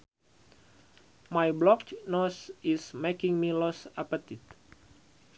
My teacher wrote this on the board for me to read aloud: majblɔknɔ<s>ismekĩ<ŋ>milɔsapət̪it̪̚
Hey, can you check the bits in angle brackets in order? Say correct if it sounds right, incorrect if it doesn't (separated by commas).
correct, correct